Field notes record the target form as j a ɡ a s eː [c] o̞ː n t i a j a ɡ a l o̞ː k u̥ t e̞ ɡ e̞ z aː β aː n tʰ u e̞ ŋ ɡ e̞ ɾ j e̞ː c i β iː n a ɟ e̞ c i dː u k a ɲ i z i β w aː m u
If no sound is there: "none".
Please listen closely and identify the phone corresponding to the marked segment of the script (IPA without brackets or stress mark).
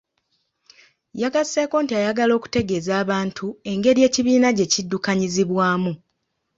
k